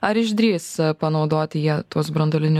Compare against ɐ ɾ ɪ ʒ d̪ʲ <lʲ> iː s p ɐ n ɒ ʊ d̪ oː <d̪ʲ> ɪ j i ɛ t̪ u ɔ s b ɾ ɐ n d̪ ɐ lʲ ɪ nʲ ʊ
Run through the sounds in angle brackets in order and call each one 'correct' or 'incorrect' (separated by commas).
incorrect, incorrect